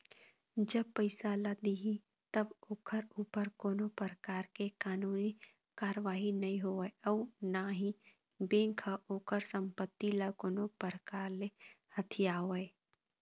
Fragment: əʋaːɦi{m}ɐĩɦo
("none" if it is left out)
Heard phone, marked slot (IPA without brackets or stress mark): n